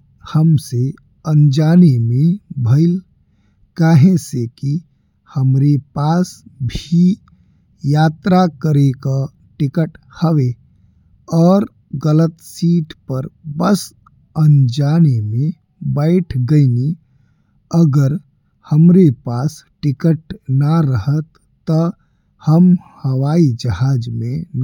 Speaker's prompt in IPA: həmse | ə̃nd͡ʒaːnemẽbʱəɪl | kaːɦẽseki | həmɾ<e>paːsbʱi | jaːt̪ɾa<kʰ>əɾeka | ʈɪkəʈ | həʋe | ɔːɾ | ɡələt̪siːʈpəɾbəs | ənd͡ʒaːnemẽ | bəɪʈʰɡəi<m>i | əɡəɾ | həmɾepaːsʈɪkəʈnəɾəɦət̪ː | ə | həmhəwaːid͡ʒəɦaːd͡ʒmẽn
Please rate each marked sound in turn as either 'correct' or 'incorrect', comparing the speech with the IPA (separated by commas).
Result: correct, incorrect, incorrect